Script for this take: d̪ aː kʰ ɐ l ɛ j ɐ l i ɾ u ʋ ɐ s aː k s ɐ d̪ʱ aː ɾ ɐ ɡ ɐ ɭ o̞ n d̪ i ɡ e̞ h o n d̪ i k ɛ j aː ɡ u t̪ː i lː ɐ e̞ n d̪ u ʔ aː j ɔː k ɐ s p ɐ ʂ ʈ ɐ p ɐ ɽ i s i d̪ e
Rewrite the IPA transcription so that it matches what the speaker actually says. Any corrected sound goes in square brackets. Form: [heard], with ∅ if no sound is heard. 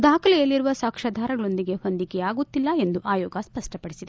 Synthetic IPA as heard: d̪ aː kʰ ɐ l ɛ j ɐ [lː] i ɾ u ʋ ɐ s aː k [ʂ] ɐ d̪ʱ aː ɾ ɐ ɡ ɐ ɭ o̞ n d̪ i ɡ e̞ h o n d̪ i k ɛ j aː ɡ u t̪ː i lː ɐ e̞ n d̪ u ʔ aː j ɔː [ɡ] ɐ s p ɐ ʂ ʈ ɐ p ɐ ɽ i s i d̪ e